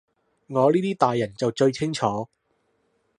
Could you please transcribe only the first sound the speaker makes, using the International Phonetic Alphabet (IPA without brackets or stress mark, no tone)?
ŋ